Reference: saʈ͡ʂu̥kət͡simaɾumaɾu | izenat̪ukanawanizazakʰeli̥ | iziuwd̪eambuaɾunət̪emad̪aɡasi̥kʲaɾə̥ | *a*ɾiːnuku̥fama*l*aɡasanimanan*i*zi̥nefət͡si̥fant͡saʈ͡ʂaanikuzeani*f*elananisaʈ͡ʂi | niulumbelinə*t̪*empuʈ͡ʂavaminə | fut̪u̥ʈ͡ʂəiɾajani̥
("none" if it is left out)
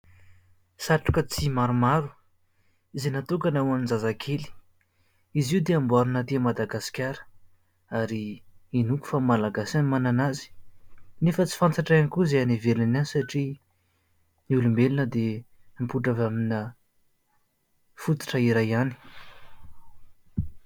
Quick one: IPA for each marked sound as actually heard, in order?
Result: a, l, a, v, d̪

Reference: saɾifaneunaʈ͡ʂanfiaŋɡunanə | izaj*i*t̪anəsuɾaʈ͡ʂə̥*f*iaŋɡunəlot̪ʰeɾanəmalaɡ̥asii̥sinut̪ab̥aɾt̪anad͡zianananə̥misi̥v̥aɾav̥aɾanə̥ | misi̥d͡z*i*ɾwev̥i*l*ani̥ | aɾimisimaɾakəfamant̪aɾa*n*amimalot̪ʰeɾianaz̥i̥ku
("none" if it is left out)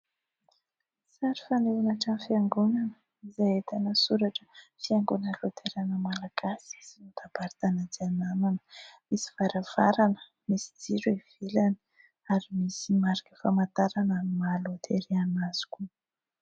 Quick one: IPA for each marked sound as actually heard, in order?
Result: e, f, i, l, n

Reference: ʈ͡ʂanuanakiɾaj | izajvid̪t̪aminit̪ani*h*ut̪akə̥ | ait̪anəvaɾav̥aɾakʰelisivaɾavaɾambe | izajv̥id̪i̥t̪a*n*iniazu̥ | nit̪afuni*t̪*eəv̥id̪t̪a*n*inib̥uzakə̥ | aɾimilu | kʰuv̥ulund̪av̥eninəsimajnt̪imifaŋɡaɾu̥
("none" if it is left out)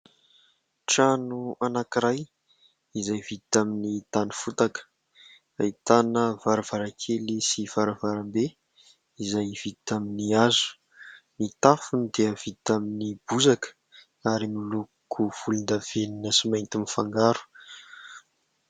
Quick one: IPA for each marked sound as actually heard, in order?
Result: f, m, d̪, m

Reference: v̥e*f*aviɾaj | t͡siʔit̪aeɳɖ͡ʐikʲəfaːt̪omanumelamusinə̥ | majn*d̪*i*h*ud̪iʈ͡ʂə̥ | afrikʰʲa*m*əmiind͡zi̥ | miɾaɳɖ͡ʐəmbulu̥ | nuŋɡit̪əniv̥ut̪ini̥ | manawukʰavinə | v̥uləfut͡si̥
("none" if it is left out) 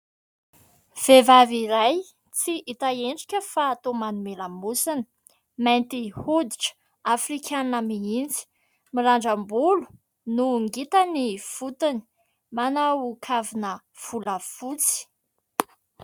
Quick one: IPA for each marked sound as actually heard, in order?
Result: v, t̪, h, n

